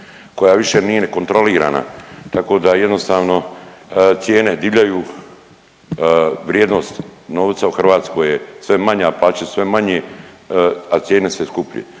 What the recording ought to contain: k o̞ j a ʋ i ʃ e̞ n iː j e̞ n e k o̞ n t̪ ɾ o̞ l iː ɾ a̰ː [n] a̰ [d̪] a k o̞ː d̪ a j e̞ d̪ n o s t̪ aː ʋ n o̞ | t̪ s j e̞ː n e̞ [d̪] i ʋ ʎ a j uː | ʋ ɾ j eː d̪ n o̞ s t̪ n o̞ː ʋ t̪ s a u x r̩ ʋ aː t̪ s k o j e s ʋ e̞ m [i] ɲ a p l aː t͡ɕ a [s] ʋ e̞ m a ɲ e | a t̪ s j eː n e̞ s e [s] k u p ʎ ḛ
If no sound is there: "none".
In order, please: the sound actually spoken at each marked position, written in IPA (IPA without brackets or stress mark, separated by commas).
n, t̪, d̪, a, s, s